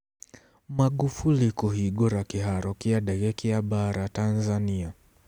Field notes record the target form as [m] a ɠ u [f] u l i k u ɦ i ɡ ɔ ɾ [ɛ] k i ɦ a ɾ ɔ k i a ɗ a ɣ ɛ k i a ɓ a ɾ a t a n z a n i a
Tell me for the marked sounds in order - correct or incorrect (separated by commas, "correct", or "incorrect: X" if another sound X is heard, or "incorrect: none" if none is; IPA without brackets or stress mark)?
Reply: correct, correct, incorrect: a